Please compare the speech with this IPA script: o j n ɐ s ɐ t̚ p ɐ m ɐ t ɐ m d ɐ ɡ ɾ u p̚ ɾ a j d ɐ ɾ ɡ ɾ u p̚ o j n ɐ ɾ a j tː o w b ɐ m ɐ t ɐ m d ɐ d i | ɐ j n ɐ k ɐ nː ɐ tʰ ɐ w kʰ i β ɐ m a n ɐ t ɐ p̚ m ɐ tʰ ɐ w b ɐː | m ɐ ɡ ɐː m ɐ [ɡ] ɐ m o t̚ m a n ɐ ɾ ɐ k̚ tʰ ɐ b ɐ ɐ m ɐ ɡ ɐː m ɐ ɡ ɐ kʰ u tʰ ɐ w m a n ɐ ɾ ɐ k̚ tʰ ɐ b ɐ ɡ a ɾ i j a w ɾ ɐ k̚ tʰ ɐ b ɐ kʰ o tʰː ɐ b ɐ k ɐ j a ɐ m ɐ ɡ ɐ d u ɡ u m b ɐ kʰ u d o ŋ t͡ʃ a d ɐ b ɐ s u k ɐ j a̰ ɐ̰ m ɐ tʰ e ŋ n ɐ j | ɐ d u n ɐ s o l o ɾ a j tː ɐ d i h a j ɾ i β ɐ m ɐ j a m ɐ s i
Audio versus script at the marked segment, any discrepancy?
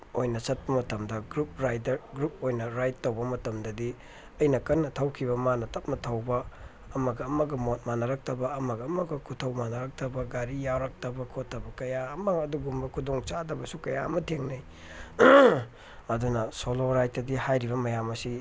no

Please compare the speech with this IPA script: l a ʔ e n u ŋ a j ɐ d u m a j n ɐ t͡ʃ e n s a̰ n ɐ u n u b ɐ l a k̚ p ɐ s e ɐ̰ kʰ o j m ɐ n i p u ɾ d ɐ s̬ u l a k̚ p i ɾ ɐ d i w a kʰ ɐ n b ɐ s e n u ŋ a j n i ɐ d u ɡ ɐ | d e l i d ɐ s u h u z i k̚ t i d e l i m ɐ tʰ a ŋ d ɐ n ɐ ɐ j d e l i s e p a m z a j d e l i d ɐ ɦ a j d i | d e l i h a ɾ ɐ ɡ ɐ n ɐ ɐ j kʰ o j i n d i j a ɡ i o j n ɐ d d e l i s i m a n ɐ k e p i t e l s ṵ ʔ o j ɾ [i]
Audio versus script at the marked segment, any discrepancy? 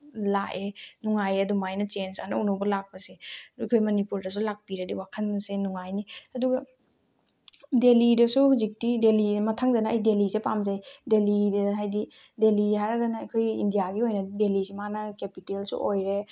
yes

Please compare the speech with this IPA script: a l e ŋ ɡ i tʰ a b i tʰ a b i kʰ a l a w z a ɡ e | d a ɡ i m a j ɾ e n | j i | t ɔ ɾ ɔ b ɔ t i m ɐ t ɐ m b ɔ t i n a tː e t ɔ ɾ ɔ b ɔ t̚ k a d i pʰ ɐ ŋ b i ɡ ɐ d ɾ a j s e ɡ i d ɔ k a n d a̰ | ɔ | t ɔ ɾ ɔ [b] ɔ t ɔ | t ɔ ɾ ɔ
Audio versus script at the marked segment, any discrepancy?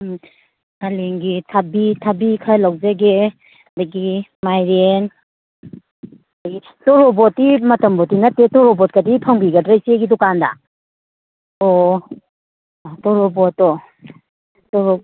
no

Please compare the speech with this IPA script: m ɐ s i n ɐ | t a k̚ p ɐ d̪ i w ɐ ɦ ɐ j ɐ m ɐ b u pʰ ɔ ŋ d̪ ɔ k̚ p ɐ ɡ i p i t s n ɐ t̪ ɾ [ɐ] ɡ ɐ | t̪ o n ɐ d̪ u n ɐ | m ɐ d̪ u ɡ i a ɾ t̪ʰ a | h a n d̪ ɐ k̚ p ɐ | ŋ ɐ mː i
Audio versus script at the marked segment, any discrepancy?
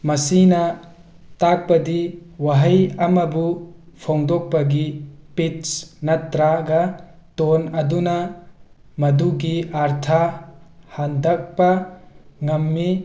yes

